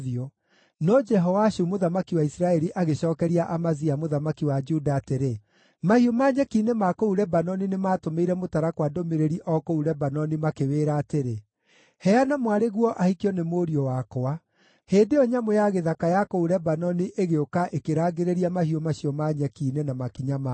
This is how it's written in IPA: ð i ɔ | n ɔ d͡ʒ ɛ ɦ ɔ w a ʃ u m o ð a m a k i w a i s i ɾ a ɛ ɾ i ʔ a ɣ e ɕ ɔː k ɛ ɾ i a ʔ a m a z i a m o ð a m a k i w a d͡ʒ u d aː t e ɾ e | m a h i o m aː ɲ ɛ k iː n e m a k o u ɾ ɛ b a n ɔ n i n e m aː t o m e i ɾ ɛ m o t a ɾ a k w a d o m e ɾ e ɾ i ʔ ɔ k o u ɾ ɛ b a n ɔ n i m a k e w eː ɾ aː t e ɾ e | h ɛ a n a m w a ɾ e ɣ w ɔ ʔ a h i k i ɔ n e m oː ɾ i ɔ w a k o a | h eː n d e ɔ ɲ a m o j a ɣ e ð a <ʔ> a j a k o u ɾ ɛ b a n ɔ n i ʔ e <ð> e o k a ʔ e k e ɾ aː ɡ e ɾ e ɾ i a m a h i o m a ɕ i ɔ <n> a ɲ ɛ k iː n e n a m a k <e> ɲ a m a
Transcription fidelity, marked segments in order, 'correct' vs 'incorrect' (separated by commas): incorrect, incorrect, incorrect, incorrect